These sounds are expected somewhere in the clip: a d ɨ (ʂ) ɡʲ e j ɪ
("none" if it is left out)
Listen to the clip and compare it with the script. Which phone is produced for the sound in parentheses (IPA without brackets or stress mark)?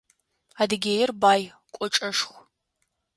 none